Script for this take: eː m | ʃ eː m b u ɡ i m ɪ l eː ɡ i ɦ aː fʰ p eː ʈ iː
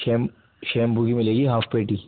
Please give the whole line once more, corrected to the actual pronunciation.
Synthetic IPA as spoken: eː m | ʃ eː m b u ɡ i m ɪ l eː ɡ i ɦ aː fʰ p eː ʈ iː